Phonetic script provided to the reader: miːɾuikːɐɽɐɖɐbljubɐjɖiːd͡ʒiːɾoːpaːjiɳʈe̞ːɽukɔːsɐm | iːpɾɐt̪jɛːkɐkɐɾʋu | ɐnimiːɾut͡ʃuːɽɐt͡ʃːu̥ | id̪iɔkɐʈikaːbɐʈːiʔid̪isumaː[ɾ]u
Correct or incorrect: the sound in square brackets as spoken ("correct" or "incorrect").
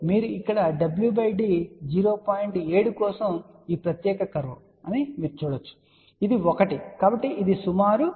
correct